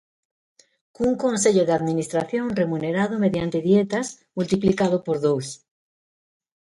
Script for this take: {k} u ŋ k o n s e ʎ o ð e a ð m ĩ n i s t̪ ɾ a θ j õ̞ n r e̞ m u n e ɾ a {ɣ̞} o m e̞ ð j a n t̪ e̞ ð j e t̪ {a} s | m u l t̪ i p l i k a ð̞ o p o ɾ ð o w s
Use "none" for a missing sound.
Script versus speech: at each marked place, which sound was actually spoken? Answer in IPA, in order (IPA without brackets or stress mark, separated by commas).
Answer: k, ð̞, a